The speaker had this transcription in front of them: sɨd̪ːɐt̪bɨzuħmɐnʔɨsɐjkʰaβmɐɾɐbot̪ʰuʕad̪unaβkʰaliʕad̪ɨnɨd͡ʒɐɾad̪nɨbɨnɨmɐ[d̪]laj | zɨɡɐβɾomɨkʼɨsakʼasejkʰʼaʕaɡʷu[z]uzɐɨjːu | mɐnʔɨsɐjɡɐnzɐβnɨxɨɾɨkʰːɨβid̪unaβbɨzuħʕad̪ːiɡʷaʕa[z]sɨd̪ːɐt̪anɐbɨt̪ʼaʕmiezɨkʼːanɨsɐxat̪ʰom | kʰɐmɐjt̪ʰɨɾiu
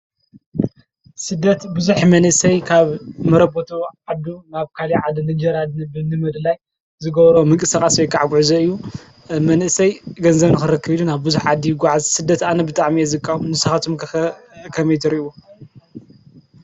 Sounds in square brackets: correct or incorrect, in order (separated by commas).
correct, incorrect, correct